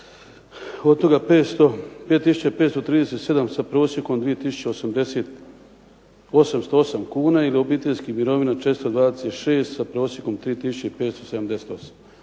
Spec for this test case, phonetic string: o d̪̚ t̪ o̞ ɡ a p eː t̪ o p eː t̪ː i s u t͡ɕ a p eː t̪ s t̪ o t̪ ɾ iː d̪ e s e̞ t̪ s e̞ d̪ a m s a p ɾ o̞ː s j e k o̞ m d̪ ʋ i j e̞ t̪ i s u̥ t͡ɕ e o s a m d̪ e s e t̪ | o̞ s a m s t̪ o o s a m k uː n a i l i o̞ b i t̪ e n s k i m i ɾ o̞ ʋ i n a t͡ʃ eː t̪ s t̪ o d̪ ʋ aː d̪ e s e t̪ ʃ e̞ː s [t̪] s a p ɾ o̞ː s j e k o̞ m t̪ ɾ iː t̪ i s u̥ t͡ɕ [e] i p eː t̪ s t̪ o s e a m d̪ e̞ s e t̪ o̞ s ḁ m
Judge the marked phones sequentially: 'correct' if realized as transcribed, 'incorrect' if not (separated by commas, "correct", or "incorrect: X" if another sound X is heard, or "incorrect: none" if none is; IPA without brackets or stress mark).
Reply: correct, correct